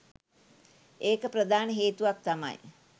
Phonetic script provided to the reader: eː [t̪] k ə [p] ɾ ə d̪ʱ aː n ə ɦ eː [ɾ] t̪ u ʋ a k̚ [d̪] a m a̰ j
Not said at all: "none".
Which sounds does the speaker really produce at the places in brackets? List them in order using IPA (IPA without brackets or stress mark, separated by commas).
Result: none, p, none, t̪